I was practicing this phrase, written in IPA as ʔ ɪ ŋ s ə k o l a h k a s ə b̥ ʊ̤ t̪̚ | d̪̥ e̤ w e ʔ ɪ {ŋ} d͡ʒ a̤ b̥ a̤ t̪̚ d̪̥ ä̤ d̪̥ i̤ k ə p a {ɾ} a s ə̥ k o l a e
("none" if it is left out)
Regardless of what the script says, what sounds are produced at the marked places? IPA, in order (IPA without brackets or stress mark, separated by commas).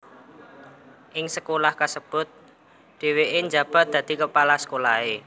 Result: ɲ, l